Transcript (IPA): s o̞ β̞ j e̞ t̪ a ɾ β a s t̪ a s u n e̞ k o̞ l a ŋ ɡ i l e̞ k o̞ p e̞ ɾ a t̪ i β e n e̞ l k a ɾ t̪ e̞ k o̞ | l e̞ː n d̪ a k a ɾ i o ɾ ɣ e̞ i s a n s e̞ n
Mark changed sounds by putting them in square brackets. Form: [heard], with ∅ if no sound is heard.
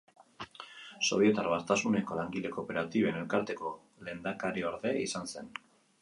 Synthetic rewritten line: s o̞ β̞ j e̞ t̪ a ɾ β a s t̪ a s u n e̞ k o̞ l a ŋ ɡ i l e̞ k o̞ p e̞ ɾ a t̪ i β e n e̞ l k a ɾ t̪ e̞ k o̞ | l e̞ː n d̪ a k a ɾ i o ɾ [ð] e̞ i s a n s e̞ n